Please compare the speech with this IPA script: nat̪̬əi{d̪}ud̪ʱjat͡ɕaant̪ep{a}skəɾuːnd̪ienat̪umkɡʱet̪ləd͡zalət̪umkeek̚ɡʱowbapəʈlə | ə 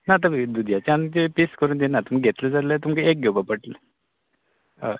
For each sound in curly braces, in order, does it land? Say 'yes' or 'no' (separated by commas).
yes, no